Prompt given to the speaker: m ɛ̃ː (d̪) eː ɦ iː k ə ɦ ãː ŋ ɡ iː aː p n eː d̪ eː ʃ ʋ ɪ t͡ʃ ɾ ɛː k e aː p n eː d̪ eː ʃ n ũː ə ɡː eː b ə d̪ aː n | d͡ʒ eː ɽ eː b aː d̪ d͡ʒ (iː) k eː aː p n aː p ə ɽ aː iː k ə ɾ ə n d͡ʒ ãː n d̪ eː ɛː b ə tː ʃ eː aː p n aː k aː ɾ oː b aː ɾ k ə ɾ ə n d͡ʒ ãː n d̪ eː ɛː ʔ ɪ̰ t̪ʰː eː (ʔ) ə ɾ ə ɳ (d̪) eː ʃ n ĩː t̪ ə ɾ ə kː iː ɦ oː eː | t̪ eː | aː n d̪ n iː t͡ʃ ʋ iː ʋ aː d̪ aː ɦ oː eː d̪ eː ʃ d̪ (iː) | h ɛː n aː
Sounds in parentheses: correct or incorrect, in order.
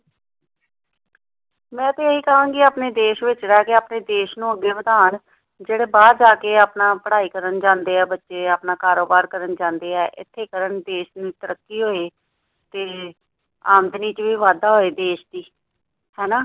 incorrect, incorrect, incorrect, correct, correct

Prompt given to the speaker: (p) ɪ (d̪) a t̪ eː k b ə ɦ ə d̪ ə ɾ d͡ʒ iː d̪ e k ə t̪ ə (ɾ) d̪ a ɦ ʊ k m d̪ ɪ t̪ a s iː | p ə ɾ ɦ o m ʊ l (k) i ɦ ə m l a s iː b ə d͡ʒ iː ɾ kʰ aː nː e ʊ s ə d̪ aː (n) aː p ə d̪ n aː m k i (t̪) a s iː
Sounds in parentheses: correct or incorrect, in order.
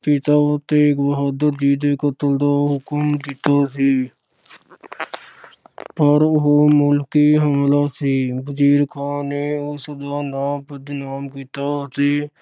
correct, incorrect, incorrect, correct, correct, correct

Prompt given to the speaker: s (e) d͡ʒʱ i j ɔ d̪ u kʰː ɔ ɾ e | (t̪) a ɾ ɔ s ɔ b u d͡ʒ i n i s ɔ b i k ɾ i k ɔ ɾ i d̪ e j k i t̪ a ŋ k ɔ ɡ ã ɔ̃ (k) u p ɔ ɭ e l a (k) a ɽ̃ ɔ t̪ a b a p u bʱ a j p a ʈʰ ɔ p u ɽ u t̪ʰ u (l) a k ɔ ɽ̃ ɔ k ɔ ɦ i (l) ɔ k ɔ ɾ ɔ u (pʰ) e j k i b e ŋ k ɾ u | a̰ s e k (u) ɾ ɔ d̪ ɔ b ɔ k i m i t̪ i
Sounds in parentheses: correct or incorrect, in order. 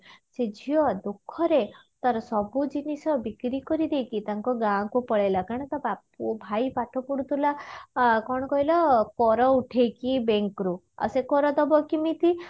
correct, correct, correct, correct, correct, correct, incorrect, incorrect

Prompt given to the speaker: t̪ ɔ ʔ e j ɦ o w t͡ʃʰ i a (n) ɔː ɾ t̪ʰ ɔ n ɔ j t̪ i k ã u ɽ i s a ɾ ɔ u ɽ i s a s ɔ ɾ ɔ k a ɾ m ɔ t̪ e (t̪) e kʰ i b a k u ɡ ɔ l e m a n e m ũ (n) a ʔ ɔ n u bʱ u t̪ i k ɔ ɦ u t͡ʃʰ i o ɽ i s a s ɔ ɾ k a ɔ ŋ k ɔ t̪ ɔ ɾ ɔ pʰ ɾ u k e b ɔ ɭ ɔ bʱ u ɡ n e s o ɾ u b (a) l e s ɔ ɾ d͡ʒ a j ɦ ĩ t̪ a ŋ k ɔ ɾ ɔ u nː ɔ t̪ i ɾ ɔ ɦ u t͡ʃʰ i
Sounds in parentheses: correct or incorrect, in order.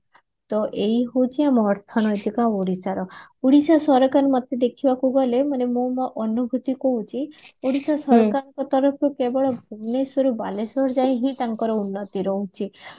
incorrect, incorrect, incorrect, correct

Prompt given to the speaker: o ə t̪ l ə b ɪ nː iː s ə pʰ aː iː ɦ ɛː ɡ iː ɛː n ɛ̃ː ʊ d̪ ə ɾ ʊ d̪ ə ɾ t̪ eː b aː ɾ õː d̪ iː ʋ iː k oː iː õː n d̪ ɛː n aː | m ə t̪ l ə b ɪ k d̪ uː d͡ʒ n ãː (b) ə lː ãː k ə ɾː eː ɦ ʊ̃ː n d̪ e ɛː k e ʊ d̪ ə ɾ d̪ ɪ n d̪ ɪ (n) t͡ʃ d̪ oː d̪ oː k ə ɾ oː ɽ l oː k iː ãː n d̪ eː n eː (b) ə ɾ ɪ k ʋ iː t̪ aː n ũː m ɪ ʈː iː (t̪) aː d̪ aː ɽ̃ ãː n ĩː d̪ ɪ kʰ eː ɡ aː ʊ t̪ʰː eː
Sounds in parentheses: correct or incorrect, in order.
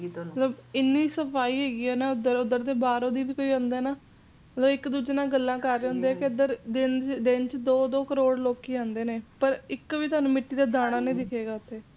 incorrect, correct, incorrect, incorrect

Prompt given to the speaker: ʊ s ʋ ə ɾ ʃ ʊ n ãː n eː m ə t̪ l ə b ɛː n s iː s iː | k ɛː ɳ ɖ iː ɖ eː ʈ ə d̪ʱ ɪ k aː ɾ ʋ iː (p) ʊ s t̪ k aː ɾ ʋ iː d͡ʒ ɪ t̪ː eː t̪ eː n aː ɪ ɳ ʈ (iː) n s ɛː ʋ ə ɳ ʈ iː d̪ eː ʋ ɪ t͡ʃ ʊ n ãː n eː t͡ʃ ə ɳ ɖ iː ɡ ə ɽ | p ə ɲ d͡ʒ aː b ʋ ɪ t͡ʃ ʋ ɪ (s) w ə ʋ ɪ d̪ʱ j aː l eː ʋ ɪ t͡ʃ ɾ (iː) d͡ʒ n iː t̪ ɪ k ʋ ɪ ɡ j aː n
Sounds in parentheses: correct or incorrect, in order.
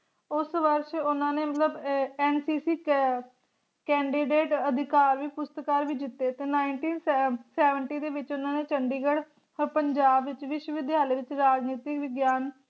correct, correct, incorrect, incorrect

